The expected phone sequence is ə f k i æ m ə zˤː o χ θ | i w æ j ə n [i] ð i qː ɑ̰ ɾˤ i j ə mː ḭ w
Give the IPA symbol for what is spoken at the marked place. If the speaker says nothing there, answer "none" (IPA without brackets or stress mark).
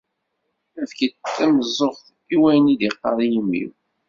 i